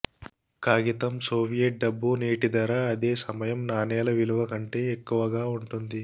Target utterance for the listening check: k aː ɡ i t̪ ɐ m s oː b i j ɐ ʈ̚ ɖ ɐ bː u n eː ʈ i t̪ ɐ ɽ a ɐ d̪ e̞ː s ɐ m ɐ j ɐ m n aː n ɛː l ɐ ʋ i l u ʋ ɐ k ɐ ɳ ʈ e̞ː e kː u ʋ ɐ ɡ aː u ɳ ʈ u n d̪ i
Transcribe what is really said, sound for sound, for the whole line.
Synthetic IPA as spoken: k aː ɡ i t̪ ɐ m s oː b i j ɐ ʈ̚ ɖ ɐ bː u n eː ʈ i d̪ ɐ ɾ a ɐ d̪ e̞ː s ɐ m ɐ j ɐ m n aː n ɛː l ɐ ʋ i l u ʋ ɐ k ɐ ɳ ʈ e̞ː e kː u ʋ ɐ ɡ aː u ɳ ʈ u n d̪ i